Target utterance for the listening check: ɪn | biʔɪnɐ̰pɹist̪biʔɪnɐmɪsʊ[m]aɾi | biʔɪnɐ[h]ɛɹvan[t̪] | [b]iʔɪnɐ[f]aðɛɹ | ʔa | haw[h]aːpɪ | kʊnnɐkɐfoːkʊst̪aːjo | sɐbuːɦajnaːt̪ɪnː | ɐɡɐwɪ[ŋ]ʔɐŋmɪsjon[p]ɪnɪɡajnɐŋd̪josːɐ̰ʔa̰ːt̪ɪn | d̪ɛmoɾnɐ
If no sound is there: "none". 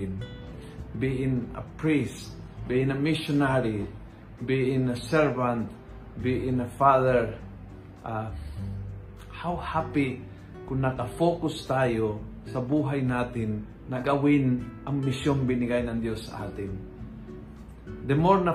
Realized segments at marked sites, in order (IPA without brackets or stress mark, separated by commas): n, s, t̪, b, f, h, n, b